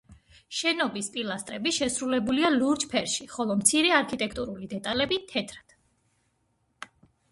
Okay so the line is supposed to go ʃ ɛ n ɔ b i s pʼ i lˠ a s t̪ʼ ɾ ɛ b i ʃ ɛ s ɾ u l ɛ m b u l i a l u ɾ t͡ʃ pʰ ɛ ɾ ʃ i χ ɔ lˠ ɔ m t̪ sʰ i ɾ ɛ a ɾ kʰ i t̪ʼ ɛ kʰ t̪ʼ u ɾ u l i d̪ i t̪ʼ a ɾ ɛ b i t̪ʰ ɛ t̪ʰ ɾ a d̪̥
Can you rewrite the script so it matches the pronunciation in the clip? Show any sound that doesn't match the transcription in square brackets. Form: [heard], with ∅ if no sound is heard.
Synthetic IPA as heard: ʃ ɛ n ɔ b i s pʼ i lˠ a s t̪ʼ ɾ ɛ b i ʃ ɛ s ɾ u l ɛ [∅] b u l i a l u ɾ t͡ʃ pʰ ɛ ɾ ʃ i χ ɔ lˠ ɔ m t̪ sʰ i ɾ ɛ a ɾ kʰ i t̪ʼ ɛ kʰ t̪ʼ u ɾ u l i d̪ [ɛ] t̪ʼ a [l] ɛ b i t̪ʰ ɛ t̪ʰ ɾ a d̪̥